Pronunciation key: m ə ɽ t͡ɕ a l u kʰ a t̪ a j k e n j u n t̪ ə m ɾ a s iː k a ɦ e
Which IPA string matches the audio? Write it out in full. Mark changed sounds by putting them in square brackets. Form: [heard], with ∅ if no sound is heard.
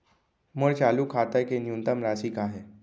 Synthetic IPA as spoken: m ə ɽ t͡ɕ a l u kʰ a t̪ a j k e n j u n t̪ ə m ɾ a s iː k a ɦ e